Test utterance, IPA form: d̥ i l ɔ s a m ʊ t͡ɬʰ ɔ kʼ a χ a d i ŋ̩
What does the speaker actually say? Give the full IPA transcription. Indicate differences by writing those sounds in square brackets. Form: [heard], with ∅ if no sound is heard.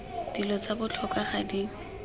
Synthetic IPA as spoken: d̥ i l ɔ [t͡s] a [b] ʊ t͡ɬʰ ɔ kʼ a χ a d i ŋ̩